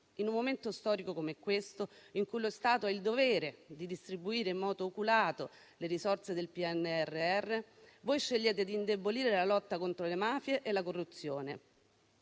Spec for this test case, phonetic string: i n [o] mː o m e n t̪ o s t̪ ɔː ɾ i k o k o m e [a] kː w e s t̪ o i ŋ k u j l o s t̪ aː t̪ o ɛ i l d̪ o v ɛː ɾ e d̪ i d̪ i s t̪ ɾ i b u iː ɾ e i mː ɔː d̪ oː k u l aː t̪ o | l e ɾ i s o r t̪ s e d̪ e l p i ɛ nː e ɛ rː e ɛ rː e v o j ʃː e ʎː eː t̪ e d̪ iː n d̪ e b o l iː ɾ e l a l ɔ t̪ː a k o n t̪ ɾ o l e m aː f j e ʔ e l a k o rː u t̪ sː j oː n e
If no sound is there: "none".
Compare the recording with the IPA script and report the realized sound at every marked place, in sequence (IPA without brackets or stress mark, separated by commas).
u, ɛ